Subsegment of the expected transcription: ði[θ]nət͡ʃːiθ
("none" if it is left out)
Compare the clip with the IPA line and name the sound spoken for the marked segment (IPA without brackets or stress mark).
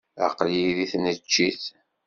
θ